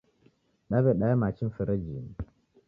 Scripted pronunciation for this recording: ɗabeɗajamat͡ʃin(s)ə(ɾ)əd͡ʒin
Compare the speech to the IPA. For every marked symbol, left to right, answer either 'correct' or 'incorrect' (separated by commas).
incorrect, correct